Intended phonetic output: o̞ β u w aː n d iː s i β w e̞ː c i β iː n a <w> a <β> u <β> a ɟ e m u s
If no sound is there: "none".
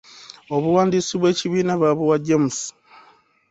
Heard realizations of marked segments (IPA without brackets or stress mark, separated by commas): β, β, w